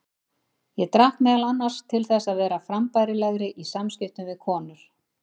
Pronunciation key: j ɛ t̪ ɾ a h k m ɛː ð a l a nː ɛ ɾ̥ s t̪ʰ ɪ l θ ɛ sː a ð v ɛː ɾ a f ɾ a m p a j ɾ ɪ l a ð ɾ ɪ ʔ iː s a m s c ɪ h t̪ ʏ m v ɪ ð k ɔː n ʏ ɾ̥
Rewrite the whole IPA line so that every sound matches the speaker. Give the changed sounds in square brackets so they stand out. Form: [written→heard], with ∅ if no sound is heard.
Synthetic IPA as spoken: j ɛ t̪ ɾ a h k m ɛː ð a l a nː [ɛ→a] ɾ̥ s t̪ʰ ɪ l θ ɛ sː a ð v ɛː ɾ a f ɾ a m p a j ɾ ɪ l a [ð→ɣ] ɾ ɪ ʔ [iː→i] s a m s c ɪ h t̪ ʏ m v ɪ ð [k→kʰ] ɔː n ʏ ɾ̥